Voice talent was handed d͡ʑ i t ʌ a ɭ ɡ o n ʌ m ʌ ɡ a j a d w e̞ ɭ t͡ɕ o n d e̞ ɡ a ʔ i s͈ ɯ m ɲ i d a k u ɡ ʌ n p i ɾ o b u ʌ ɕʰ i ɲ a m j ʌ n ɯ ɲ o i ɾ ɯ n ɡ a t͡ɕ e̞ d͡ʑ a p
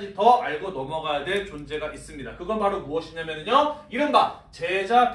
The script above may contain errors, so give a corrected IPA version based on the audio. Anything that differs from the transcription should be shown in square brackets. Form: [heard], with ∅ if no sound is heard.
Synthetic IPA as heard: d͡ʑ i t ʌ a ɭ ɡ o n ʌ m ʌ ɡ a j a d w e̞ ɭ t͡ɕ o n [d͡ʑ] e̞ ɡ a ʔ i s͈ ɯ m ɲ i d a k [ɯ] ɡ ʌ n p [a] ɾ o [m] u ʌ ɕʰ i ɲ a m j ʌ n ɯ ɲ o i ɾ ɯ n ɡ a t͡ɕ e̞ d͡ʑ a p